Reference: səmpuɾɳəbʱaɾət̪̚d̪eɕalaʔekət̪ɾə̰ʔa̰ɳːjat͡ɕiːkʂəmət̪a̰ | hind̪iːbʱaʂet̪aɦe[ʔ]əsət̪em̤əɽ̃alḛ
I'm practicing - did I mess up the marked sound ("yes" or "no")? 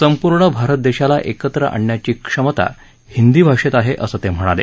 no